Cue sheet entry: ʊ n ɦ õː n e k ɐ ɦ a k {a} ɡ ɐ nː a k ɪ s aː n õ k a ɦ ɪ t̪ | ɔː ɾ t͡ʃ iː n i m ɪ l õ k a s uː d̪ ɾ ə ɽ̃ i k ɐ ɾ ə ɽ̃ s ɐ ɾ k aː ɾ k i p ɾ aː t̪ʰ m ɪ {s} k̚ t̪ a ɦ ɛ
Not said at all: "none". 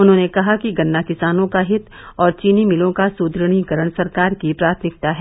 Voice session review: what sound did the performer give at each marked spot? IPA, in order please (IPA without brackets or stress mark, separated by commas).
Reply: i, none